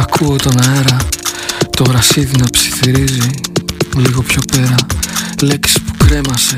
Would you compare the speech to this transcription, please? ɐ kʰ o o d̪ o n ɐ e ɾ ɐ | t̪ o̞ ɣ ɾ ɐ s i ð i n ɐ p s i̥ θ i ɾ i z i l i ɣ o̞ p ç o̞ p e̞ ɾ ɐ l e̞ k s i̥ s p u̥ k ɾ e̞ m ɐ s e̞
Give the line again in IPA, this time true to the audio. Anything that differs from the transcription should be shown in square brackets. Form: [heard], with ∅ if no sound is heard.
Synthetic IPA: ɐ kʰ [u] o [t̪] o n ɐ e ɾ ɐ | t̪ o̞ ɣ ɾ ɐ s i ð i n ɐ p s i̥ θ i ɾ i z i l i ɣ o̞ p ç o̞ p e̞ ɾ ɐ l e̞ k s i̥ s p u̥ k ɾ e̞ m ɐ s e̞